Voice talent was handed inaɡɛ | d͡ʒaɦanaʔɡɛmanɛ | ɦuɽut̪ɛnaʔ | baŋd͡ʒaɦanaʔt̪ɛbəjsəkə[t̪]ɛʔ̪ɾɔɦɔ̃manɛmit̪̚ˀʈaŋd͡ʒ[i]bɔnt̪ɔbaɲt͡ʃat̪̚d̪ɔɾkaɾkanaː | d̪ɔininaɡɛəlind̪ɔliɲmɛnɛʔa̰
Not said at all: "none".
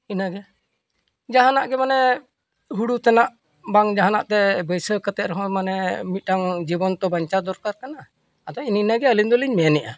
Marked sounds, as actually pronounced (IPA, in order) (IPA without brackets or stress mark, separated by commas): t̪, i